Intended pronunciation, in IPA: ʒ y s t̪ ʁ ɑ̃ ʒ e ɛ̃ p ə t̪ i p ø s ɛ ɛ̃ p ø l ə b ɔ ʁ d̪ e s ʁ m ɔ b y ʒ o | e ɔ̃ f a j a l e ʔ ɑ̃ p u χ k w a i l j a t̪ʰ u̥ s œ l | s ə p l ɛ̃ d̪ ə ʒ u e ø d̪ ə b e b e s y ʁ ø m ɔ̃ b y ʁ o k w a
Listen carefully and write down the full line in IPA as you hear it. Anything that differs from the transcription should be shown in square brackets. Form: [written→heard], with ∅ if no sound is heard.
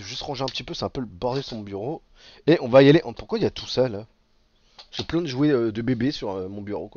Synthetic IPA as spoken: ʒ y s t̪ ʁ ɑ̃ ʒ e ɛ̃ p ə t̪ i p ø s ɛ ɛ̃ p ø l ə b ɔ ʁ d̪ e s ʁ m [ɔ→ɔ̃] b y [ʒ→ʁ] o | e ɔ̃ [f→v] a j a l e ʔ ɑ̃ p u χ k w a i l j a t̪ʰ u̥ s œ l | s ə p l ɛ̃ d̪ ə ʒ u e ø d̪ ə b e b e s y ʁ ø m ɔ̃ b y ʁ o k w a